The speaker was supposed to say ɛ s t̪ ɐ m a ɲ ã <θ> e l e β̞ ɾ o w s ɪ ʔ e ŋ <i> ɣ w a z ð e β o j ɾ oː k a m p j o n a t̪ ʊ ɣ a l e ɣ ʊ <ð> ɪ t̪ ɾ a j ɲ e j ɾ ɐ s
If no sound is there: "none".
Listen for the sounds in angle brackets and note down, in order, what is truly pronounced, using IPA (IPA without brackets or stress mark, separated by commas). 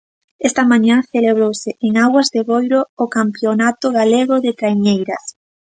θ, a, ð